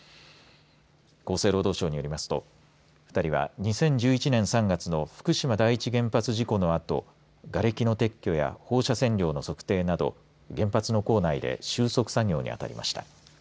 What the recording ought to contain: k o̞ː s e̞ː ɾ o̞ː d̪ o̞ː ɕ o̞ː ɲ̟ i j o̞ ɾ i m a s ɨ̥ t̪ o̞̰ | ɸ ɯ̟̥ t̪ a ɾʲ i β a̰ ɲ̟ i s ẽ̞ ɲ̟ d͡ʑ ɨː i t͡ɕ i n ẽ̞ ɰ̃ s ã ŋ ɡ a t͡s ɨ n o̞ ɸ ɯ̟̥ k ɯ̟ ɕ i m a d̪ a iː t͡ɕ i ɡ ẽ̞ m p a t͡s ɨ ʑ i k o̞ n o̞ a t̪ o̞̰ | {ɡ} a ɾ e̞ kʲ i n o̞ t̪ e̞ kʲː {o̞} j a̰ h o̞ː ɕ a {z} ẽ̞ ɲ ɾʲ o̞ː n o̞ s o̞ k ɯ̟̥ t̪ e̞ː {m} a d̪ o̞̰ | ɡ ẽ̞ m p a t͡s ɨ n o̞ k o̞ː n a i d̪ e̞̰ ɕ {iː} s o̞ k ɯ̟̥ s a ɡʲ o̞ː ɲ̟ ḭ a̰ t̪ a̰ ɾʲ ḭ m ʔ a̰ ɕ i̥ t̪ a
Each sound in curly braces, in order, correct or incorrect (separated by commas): correct, correct, incorrect, incorrect, incorrect